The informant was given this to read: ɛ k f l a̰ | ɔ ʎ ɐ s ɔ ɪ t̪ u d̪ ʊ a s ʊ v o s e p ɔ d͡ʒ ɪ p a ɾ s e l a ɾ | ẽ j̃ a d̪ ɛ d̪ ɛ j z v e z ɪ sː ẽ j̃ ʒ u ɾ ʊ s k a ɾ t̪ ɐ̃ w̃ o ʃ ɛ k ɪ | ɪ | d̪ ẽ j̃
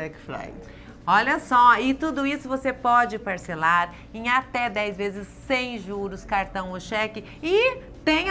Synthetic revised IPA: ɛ k f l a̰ | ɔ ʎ ɐ s ɔ ɪ t̪ u d̪ ʊ i s ʊ v o s e p ɔ d͡ʒ ɪ p a ɾ s e l a ɾ | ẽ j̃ a t̪ ɛ d̪ ɛ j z v e z ɪ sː ẽ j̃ ʒ u ɾ ʊ s k a ɾ t̪ ɐ̃ w̃ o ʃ ɛ k ɪ | ɪ | t̪ ẽ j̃